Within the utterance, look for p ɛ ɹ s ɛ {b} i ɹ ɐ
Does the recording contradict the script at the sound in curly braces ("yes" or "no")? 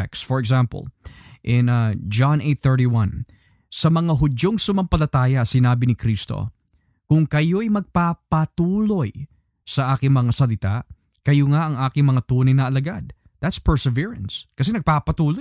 yes